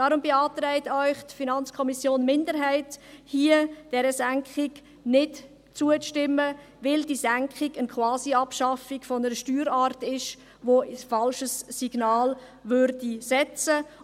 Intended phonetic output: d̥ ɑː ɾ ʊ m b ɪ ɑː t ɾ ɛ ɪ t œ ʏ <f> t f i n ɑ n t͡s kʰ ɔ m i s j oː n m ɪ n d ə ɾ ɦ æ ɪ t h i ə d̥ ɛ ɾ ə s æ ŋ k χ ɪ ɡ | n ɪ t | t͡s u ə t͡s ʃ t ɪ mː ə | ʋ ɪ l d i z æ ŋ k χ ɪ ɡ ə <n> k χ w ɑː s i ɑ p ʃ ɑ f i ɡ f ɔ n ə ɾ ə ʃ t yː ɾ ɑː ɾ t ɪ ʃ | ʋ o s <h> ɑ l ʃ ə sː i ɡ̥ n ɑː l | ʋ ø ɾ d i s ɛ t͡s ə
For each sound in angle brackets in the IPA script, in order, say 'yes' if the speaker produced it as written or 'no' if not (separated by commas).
no, yes, no